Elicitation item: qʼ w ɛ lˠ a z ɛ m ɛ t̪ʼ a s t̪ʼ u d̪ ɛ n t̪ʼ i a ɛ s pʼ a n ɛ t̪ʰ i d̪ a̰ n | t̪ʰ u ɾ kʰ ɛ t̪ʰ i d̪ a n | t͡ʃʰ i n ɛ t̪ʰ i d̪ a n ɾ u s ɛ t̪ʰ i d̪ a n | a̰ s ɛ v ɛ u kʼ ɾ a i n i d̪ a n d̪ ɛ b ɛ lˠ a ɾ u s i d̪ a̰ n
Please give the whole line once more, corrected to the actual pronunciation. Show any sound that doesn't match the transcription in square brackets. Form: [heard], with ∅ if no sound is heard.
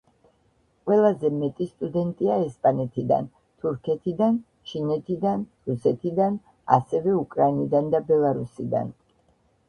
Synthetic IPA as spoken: qʼ w ɛ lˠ a z ɛ m ɛ t̪ʼ [i] s t̪ʼ u d̪ ɛ n t̪ʼ i a ɛ s pʼ a n ɛ t̪ʰ i d̪ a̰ n | t̪ʰ u ɾ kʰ ɛ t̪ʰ i d̪ a n | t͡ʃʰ i n ɛ t̪ʰ i d̪ a n ɾ u s ɛ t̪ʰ i d̪ a n | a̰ s ɛ v ɛ u kʼ ɾ a i n i d̪ a n d̪ [a] b ɛ lˠ a ɾ u s i d̪ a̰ n